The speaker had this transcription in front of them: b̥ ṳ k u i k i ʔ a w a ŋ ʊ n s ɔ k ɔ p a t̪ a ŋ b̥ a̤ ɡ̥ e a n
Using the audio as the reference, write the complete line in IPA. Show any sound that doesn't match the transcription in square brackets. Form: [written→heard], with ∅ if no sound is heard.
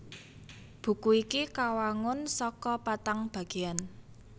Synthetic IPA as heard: b̥ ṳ k u i k i [ʔ→k] a w a ŋ ʊ n s ɔ k ɔ p a t̪ a ŋ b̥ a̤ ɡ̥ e a n